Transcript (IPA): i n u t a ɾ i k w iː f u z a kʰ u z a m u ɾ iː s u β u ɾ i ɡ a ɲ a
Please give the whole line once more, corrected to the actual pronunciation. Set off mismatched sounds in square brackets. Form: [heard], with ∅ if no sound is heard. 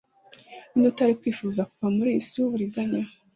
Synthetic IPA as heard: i n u t a ɾ i k w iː f u z a [k] u [v] a m u ɾ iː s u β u ɾ i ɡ a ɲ a